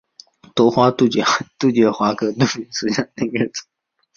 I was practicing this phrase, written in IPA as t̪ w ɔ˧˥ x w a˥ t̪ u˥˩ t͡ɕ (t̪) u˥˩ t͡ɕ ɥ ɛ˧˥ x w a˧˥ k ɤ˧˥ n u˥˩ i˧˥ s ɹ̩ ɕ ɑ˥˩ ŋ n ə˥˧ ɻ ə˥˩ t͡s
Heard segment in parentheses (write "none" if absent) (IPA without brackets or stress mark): t̪